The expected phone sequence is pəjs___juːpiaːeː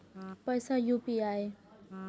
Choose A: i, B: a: B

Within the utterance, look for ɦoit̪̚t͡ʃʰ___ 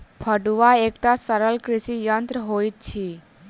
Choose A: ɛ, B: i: B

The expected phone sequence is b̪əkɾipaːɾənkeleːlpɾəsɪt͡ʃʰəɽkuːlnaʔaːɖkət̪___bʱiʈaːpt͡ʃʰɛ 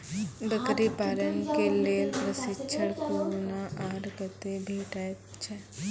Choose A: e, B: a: A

